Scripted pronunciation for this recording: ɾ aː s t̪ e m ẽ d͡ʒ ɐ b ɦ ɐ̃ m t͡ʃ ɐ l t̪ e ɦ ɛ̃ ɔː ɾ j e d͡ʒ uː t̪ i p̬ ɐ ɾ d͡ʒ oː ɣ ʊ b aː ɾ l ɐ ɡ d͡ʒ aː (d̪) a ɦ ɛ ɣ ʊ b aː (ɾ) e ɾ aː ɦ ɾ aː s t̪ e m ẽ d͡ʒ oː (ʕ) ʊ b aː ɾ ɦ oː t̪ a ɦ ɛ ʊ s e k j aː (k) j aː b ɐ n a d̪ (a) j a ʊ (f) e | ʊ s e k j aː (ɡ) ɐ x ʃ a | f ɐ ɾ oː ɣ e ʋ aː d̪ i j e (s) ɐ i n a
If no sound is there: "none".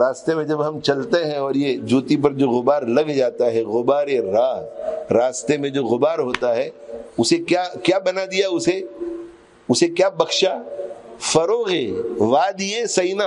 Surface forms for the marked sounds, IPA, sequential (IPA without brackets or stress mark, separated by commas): t̪, ɾ, ɣ, k, i, s, b, s